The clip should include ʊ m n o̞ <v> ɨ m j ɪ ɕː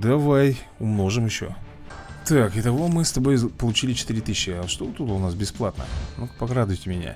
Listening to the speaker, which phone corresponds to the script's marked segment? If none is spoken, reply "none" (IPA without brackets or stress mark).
ʐ